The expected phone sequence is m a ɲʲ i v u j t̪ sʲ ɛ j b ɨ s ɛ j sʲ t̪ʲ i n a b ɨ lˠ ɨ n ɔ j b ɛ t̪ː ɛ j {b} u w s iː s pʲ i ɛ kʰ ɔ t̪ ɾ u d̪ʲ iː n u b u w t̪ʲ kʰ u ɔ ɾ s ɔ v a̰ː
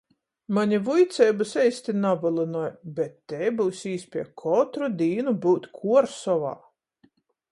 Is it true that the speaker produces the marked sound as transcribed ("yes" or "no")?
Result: yes